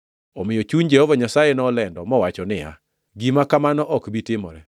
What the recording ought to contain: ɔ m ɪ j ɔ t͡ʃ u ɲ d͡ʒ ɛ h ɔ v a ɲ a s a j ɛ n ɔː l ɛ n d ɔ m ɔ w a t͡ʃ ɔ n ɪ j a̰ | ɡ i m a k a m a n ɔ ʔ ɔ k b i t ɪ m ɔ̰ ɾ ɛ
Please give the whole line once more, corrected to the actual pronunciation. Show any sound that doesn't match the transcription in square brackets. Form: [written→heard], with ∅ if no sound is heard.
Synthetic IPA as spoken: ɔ m ɪ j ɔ t͡ʃ u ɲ d͡ʒ ɛ h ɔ v a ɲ a s a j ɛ n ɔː l ɛ n d ɔ m ɔ w a t͡ʃ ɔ n ɪ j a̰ | ɡ i m a k a m a n ɔ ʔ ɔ k b i t ɪ m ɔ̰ ɾ ɛ